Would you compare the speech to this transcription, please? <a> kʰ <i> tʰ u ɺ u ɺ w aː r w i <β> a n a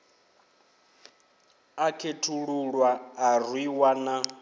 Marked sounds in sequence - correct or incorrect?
correct, incorrect: e, incorrect: w

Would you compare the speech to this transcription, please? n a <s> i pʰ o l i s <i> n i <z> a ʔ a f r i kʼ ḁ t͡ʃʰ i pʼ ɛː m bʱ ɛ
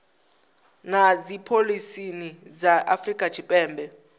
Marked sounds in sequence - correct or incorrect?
incorrect: z, correct, correct

